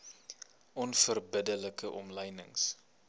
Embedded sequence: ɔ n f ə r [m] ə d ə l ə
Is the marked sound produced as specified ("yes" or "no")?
no